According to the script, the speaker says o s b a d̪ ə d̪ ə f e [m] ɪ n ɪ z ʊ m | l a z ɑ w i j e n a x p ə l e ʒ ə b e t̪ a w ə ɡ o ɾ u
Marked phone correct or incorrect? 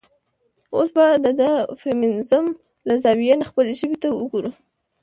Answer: correct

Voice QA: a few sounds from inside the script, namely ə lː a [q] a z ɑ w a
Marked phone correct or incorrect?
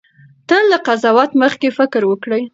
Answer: correct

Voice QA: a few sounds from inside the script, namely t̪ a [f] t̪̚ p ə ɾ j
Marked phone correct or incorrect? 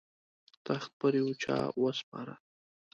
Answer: incorrect: x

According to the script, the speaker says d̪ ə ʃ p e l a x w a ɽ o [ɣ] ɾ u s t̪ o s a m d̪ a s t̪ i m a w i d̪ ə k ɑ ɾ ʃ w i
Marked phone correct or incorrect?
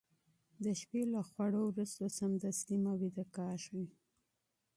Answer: incorrect: w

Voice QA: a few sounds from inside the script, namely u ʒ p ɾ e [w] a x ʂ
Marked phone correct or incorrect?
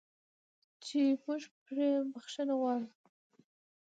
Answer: incorrect: b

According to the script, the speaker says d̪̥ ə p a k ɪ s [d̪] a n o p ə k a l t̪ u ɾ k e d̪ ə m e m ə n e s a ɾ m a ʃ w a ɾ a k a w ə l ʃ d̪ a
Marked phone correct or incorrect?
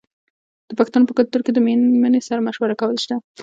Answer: incorrect: t̪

